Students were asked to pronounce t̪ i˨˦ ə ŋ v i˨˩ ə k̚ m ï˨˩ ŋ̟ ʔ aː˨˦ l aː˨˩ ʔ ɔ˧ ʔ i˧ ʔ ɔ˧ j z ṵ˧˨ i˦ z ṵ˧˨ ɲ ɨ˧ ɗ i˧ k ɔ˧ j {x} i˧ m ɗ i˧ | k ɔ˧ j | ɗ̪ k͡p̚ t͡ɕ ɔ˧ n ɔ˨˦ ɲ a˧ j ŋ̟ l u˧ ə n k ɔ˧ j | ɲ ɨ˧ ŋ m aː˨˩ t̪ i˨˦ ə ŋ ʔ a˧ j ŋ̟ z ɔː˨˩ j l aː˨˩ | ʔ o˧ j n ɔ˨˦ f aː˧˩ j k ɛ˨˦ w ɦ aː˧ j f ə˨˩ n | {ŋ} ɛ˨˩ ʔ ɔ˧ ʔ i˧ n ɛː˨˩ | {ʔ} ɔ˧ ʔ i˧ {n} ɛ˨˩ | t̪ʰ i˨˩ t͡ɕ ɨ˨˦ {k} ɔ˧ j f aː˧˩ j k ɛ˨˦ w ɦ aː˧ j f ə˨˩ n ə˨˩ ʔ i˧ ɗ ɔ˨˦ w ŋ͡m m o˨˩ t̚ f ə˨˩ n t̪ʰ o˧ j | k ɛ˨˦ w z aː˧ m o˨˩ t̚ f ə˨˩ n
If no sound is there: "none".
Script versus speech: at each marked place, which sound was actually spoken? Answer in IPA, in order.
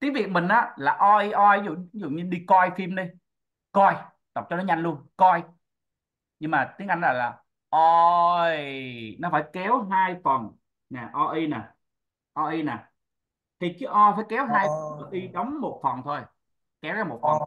f, n, ʔ, n, ʔ

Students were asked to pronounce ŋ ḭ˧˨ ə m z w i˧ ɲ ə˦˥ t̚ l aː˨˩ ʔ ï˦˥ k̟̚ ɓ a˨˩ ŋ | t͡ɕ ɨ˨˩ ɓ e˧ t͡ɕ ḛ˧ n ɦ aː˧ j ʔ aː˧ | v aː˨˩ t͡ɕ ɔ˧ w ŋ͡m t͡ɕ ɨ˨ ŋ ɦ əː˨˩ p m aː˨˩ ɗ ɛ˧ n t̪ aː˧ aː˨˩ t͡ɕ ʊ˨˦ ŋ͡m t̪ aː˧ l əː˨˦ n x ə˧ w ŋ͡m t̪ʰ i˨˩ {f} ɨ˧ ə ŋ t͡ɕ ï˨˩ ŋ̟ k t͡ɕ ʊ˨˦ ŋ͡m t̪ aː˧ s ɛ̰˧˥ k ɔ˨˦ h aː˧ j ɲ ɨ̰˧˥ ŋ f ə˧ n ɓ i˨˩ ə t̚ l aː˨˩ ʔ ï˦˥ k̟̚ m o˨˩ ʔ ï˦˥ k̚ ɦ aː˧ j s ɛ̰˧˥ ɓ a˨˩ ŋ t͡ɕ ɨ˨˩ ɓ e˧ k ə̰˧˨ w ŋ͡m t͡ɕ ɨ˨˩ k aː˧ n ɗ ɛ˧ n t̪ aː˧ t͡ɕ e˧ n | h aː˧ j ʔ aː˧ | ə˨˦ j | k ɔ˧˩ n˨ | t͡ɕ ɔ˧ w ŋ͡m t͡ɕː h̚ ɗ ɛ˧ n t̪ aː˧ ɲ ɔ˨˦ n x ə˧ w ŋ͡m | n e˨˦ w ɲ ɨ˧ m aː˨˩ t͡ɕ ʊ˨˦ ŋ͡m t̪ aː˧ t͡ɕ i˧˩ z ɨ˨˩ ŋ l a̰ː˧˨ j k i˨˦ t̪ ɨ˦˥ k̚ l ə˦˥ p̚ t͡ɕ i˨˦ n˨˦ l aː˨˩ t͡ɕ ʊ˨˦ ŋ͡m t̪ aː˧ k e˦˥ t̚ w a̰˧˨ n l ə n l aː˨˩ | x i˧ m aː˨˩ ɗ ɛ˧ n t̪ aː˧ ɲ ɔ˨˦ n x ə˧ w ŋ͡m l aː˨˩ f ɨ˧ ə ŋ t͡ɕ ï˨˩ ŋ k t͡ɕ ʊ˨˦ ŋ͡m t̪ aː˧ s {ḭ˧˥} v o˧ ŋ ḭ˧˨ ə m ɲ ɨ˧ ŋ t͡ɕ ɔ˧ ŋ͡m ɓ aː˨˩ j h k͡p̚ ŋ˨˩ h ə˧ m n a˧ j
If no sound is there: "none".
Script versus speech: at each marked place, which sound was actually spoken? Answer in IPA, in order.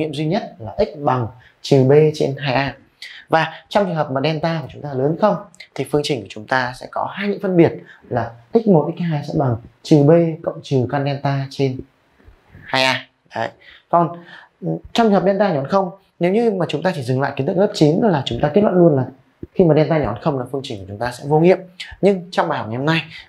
f, ɛ̰˧˥

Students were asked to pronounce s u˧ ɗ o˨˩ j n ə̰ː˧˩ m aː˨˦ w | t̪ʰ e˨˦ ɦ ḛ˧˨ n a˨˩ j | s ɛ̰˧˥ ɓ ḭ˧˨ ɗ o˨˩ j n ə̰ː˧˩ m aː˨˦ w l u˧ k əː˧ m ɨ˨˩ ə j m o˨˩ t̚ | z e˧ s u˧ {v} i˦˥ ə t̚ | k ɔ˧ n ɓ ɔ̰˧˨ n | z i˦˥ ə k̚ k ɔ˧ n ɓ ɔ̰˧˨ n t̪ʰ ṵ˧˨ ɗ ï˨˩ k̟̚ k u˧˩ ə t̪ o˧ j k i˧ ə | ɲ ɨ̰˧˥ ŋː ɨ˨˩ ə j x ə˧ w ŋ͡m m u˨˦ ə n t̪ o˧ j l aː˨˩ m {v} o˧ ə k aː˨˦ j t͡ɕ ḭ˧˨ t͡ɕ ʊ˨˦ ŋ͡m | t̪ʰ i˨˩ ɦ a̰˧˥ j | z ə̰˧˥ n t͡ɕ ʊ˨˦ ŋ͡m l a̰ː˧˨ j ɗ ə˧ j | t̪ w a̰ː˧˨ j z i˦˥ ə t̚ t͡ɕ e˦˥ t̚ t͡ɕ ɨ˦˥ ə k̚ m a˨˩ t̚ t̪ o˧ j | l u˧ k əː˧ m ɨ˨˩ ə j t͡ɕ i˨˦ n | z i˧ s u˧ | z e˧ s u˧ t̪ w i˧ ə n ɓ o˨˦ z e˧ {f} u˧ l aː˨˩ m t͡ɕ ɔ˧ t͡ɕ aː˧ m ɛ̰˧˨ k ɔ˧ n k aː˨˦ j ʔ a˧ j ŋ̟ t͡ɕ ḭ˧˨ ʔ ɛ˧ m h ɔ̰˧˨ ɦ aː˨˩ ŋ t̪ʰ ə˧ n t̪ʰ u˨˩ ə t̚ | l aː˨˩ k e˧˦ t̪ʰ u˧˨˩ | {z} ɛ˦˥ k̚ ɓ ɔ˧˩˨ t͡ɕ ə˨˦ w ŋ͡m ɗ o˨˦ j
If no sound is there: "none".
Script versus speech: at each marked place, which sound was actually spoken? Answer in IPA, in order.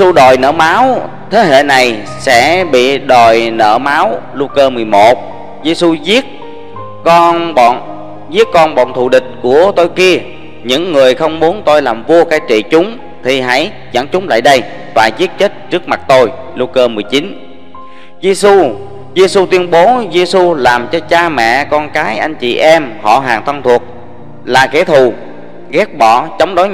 z, v, s, ɣ

